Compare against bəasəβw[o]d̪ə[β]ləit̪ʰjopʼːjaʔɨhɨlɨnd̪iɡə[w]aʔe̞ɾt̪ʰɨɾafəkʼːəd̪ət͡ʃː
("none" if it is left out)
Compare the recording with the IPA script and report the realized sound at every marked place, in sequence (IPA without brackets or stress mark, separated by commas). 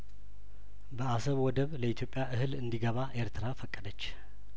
ɔ, β, β